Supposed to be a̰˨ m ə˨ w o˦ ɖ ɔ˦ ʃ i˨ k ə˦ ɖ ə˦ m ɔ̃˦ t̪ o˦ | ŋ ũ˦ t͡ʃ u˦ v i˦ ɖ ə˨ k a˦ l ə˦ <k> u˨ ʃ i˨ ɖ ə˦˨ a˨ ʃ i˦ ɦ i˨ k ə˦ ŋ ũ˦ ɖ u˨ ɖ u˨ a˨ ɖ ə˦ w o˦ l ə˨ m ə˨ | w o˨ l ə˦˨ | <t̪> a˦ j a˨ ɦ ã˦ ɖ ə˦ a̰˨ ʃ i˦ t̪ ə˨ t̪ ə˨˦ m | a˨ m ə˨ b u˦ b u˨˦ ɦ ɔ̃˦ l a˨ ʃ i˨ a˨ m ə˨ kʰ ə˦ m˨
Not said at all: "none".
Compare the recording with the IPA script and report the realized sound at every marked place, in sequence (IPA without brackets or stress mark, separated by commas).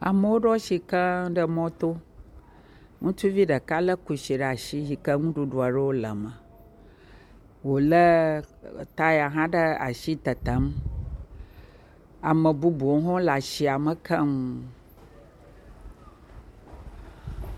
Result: k, t̪